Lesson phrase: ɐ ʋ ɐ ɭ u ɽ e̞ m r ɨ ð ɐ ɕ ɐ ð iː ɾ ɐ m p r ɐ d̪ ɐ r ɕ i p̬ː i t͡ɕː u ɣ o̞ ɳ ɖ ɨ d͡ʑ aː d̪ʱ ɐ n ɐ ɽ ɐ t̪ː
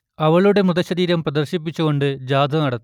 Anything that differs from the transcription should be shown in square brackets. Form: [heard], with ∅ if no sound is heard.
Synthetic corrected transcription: ɐ ʋ ɐ ɭ u ɽ e̞ m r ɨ ð ɐ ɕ ɐ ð iː ɾ ɐ m p r ɐ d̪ ɐ r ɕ i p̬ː i t͡ɕː u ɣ o̞ ɳ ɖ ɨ d͡ʑ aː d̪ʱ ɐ n ɐ ɽ ɐ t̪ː